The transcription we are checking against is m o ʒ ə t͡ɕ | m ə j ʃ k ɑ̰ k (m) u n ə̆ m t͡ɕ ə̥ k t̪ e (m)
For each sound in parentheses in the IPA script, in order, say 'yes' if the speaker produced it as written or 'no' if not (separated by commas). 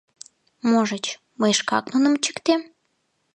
no, yes